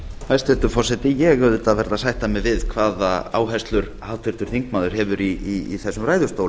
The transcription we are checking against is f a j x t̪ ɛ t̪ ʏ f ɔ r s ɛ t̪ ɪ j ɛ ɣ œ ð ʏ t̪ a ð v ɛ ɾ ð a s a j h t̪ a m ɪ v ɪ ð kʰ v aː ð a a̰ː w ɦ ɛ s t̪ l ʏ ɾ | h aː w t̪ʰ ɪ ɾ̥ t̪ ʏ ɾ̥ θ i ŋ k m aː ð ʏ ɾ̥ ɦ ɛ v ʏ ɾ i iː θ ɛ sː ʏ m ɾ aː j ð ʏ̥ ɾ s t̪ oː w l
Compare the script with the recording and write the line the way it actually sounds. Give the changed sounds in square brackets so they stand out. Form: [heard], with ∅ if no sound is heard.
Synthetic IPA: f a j [s] t̪ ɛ t̪ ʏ f ɔ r s ɛ t̪ ɪ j ɛ ɣ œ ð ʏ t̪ a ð v ɛ ɾ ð a s a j h t̪ a m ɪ v ɪ ð kʰ v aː ð a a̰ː w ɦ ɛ s t̪ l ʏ ɾ | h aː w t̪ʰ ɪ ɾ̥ t̪ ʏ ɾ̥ θ i ŋ k m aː ð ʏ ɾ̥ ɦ ɛ v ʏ ɾ i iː θ ɛ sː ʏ m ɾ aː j ð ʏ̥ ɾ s t̪ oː w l